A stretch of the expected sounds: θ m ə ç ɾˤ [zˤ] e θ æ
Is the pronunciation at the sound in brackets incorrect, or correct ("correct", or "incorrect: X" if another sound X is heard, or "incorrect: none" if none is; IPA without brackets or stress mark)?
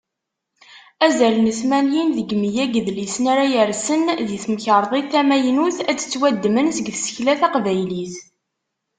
incorrect: ðˤ